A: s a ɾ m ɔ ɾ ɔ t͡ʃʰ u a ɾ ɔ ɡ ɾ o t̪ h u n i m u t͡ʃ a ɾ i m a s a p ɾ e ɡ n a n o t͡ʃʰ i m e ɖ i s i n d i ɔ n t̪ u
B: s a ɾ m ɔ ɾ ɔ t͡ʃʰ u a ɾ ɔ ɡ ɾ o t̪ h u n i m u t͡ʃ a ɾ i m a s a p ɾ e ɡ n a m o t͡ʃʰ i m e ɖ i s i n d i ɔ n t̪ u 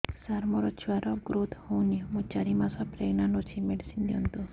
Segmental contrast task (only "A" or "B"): A